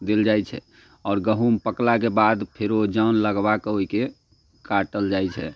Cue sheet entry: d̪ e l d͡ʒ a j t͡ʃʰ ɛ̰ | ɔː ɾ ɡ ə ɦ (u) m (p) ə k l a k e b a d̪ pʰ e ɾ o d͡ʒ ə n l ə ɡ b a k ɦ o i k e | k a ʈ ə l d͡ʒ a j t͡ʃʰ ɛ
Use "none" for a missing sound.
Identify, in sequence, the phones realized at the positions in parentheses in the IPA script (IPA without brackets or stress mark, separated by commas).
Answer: u, p